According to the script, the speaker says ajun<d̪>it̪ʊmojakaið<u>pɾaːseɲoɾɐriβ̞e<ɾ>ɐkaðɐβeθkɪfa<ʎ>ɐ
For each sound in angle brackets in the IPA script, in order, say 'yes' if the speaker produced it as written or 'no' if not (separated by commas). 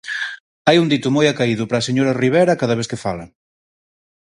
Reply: yes, no, yes, no